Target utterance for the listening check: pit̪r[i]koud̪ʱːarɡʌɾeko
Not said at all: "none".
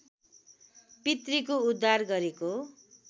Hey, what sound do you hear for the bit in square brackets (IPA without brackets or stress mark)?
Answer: i